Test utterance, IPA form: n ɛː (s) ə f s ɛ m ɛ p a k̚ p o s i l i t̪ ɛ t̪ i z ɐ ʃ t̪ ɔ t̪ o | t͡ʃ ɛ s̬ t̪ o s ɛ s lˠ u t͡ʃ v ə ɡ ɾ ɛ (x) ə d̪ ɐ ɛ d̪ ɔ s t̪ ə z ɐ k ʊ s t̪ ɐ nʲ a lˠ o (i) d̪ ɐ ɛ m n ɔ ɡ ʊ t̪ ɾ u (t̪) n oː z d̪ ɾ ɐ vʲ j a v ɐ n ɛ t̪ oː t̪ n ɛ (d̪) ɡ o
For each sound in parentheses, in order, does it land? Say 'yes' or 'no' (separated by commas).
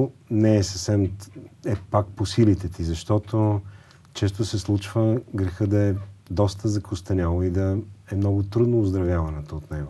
yes, yes, yes, no, no